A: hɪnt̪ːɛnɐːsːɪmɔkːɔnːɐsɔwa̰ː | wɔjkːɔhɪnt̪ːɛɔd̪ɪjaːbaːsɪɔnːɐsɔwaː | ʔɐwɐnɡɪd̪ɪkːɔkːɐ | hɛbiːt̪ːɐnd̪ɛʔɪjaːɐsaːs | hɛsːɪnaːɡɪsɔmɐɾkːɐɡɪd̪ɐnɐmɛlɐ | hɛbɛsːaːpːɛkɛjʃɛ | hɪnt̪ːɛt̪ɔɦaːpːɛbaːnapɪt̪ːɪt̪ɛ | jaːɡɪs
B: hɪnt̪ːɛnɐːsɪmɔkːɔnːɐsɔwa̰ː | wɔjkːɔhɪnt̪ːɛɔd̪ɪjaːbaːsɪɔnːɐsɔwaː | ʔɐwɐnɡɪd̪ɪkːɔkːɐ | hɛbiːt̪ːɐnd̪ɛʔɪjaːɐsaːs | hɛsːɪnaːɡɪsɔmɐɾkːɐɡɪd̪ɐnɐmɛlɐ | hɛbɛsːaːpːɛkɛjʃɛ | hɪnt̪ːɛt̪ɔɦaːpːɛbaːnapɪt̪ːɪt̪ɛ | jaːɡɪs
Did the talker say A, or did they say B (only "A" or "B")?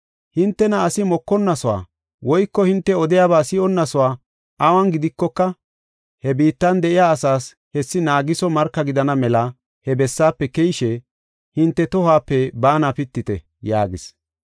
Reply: B